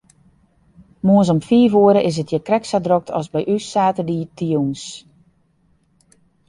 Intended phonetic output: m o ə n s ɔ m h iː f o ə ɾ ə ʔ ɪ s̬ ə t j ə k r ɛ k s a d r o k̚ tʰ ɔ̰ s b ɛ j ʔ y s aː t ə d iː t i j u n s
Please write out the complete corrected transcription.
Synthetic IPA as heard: m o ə n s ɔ m f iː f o ə ɾ ə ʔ ɪ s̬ ə t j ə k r ɛ k s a d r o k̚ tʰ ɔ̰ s b ɛ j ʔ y s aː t ə d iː t i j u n s